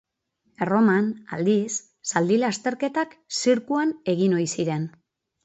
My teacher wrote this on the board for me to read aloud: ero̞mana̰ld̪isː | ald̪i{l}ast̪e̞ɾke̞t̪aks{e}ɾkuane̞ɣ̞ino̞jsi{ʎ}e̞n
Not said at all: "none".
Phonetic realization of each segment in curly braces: l, i, ɾ

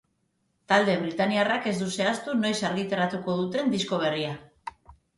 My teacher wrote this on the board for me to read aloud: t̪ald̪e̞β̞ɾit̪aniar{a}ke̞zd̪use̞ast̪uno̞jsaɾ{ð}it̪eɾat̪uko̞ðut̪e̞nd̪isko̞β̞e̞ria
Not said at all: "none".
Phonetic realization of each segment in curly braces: a, ɣ

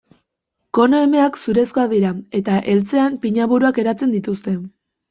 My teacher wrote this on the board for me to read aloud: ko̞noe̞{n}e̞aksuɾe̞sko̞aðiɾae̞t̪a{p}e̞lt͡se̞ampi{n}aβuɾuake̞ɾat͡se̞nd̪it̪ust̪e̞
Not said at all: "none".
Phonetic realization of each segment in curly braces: m, ʔ, ɲ

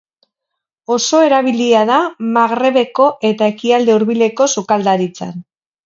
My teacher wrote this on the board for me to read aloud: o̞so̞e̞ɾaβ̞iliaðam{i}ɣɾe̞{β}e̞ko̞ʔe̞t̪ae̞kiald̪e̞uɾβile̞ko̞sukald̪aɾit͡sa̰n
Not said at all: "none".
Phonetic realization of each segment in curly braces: a, β

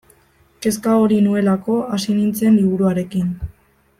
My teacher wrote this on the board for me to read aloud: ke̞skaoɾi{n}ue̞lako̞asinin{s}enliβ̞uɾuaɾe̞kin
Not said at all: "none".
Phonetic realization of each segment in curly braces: n, t͡s

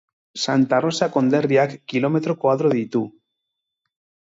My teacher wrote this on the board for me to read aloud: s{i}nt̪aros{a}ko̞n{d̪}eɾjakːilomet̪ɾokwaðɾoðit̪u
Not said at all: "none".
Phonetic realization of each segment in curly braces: a, a, d̪

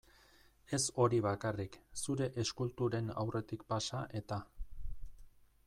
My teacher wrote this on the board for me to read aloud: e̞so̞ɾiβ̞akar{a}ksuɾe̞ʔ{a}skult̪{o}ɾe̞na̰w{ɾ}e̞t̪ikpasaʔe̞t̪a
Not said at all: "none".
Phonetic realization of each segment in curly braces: i, e, u, r

